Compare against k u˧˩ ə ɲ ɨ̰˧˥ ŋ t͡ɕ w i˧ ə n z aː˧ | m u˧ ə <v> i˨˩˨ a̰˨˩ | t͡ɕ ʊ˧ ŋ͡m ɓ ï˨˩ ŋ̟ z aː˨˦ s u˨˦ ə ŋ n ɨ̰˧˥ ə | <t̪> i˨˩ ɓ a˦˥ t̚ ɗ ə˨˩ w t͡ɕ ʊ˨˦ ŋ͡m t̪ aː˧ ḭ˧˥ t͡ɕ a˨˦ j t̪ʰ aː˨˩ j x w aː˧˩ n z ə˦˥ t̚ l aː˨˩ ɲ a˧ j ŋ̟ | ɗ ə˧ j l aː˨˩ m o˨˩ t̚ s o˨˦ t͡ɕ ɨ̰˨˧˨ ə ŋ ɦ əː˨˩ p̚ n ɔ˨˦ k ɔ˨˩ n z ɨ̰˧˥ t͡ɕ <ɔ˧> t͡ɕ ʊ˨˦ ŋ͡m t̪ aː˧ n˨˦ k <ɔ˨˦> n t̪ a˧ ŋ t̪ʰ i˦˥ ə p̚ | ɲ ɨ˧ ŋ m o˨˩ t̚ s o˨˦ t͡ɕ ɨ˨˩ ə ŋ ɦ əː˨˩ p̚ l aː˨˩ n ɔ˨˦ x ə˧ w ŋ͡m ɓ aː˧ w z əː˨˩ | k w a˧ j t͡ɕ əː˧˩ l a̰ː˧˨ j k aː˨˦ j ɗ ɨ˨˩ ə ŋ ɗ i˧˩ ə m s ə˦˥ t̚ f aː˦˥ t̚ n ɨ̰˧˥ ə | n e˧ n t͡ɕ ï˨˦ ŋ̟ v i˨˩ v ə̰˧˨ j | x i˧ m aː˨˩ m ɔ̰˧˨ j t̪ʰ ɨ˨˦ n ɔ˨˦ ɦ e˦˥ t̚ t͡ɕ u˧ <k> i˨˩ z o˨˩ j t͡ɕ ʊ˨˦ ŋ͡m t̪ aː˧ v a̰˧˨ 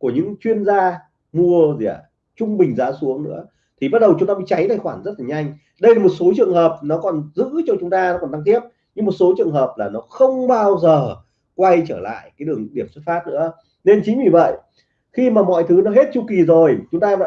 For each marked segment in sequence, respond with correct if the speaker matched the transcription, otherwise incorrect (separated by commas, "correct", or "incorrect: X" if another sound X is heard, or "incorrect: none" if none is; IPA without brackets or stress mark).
incorrect: z, incorrect: t̪ʰ, correct, incorrect: ɔ˨˩, correct